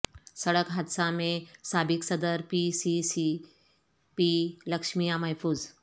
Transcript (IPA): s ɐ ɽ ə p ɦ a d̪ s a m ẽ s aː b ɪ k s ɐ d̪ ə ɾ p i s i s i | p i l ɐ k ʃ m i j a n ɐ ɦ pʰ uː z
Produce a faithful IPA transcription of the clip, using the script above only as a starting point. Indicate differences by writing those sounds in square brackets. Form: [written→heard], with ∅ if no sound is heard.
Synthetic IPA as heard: s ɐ ɽ ə [p→k] ɦ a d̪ s a m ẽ s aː b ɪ k s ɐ d̪ ə ɾ p i s i s i | p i l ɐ k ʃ m i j a [n→m] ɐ ɦ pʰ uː z